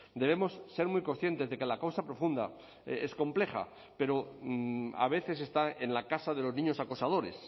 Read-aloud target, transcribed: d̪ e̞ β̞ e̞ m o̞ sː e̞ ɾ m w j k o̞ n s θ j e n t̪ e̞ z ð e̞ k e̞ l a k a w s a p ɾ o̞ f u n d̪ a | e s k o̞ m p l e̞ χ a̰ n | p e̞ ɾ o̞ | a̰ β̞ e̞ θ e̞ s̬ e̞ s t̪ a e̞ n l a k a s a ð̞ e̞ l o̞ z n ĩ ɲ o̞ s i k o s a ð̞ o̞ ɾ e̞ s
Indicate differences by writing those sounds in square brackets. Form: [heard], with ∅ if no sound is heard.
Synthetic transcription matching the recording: d̪ e̞ β̞ e̞ m o̞ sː e̞ ɾ m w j k o̞ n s θ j e n t̪ e̞ z ð e̞ k e̞ l a k a w s a p ɾ o̞ f u n d̪ a | e s k o̞ m p l e̞ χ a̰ [∅] | p e̞ ɾ o̞ | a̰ β̞ e̞ θ e̞ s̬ e̞ s t̪ a e̞ n l a k a s a ð̞ e̞ l o̞ z n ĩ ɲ o̞ s [a] k o s a ð̞ o̞ ɾ e̞ s